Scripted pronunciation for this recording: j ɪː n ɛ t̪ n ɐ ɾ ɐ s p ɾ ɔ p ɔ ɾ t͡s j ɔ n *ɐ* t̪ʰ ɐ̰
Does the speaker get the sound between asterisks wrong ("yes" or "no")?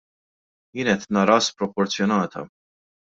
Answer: yes